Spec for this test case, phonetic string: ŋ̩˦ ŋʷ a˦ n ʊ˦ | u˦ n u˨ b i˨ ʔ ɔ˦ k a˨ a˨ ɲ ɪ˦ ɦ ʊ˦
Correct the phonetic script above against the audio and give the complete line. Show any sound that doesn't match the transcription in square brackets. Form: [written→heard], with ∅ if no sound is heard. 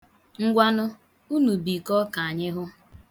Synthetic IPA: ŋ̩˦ [ŋʷ→ɡʷ] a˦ n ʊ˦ | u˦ n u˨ b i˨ [ʔ→k] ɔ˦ k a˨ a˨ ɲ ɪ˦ ɦ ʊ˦

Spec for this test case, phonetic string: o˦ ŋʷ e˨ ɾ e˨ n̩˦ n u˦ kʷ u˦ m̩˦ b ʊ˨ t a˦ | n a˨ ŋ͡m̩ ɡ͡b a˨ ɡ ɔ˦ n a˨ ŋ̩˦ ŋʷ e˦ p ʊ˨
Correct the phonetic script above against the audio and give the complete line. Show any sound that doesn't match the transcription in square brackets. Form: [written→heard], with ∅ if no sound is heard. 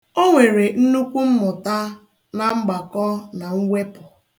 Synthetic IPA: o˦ ŋʷ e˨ ɾ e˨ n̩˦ n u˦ kʷ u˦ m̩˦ [b→m] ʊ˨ t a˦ | n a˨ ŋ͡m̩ ɡ͡b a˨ [ɡ→k] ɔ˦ n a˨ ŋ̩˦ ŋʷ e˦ p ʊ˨

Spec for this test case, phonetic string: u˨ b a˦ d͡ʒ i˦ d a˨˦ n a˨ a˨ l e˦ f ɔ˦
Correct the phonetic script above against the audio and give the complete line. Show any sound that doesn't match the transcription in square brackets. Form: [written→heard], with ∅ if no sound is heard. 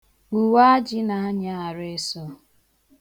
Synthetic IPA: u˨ [b→w] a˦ d͡ʒ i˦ [d→n] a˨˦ [n→ɲ] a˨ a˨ [l→ɾ] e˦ [f→s] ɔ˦

